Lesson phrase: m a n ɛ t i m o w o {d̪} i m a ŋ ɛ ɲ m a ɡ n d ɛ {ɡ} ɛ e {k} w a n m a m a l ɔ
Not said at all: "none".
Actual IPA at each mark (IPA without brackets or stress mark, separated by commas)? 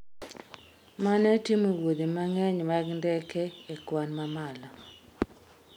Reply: d̪, k, k